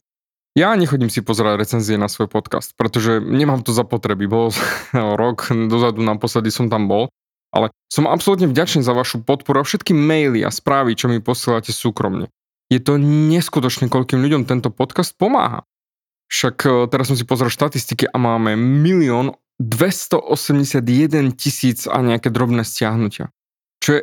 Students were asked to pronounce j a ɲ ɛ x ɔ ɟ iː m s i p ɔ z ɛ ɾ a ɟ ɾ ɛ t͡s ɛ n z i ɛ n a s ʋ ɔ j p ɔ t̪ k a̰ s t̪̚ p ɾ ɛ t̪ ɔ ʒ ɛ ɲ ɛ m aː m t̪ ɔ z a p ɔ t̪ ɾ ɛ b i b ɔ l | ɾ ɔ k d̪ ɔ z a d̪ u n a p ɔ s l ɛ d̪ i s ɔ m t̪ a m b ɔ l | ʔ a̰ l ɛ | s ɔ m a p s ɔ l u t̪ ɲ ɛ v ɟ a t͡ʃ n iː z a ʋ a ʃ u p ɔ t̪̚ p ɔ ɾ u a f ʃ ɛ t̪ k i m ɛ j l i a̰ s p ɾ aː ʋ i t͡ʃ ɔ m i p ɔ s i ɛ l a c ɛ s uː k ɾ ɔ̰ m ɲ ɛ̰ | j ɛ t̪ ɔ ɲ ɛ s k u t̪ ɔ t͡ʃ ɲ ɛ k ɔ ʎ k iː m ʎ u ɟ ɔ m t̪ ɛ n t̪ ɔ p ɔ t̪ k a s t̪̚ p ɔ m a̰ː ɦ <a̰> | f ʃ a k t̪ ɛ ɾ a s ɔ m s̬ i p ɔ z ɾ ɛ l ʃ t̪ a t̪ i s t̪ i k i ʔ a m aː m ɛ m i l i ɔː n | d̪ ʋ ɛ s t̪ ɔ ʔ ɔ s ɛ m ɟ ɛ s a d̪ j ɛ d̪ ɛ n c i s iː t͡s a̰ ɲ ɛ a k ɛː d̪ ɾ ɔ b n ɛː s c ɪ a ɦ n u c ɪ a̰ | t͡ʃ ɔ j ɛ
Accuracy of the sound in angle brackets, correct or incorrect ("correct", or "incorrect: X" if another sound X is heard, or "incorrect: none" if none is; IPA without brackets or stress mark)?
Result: correct